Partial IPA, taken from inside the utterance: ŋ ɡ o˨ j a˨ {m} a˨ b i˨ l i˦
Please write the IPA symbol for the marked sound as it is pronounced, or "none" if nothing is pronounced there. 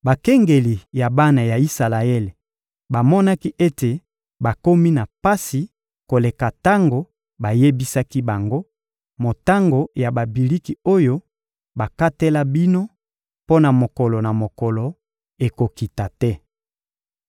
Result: b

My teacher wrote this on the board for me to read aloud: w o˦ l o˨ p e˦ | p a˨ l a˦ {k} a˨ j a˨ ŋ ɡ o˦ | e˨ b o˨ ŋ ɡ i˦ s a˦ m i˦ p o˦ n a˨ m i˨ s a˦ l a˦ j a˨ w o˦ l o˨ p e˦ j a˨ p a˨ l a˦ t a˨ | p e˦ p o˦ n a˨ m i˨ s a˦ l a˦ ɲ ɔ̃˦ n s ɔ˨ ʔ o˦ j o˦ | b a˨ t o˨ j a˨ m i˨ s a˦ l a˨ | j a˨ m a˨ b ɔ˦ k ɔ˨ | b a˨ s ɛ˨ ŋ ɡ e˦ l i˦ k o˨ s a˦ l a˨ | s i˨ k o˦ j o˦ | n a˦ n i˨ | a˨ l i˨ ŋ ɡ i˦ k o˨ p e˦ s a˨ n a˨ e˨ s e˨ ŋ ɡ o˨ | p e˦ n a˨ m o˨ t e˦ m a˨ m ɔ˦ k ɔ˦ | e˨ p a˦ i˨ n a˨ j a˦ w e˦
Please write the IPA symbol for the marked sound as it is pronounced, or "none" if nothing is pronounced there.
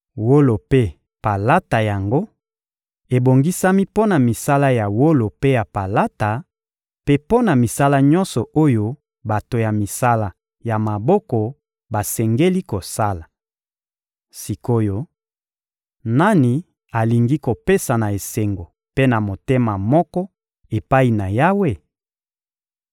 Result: t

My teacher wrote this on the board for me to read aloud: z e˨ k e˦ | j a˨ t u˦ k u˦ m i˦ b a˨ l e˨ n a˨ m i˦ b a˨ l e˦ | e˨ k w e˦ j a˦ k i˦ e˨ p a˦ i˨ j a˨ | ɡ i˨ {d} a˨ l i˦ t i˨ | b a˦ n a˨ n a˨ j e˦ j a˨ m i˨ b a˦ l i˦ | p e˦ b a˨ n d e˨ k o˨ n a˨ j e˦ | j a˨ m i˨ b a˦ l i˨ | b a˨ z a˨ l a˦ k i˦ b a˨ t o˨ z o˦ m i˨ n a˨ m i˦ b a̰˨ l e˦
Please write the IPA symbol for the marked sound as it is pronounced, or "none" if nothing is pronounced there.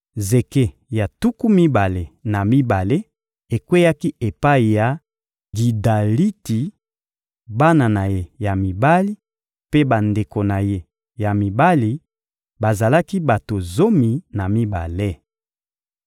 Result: d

